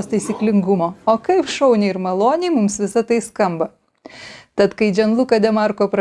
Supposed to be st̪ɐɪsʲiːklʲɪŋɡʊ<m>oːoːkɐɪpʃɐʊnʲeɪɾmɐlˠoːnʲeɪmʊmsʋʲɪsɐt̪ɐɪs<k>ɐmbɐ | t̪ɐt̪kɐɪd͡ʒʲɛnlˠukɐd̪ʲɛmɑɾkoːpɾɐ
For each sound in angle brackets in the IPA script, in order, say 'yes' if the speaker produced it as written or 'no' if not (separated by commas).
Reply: yes, yes